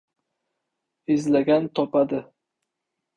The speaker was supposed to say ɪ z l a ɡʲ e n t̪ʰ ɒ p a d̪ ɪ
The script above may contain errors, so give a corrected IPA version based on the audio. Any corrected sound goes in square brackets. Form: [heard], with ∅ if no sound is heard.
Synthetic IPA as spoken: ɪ z l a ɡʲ [a] n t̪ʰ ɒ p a d̪ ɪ